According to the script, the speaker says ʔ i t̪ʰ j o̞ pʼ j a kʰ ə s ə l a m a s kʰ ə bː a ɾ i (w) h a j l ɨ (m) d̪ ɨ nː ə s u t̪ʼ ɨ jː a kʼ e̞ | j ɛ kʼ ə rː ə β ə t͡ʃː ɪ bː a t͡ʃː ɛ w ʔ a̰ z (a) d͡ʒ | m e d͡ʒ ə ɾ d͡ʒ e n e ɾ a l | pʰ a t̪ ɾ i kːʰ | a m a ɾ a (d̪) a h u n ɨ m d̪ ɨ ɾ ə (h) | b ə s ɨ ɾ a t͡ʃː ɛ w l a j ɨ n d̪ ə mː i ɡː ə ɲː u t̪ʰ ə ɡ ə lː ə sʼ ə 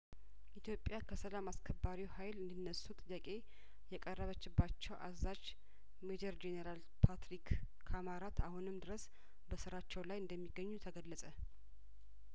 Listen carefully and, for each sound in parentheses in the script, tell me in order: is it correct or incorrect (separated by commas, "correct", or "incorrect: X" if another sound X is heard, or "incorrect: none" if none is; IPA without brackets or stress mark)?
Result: correct, incorrect: n, correct, incorrect: t̪, incorrect: s